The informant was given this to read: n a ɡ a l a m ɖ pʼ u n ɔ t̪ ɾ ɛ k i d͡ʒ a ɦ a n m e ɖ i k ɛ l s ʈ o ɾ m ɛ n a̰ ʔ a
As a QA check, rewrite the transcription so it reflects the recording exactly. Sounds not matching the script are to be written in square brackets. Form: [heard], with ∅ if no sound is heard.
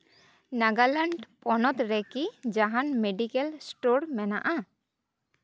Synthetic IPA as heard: n a ɡ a l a [ɳ] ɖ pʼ [ɔ] n ɔ t̪ ɾ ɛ k i d͡ʒ a ɦ a n m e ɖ i k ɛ l s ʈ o ɾ m ɛ n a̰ ʔ a